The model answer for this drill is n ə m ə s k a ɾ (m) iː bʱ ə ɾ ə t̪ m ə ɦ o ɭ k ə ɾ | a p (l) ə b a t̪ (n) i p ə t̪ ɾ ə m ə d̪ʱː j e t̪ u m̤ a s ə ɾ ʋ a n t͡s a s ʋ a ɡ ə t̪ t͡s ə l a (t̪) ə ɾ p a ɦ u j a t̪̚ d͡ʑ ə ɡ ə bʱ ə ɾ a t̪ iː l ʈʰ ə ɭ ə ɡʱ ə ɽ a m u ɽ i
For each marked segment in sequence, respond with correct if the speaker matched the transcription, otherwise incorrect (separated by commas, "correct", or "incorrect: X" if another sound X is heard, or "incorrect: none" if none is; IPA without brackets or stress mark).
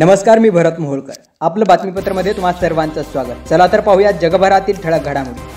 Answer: correct, correct, incorrect: m, correct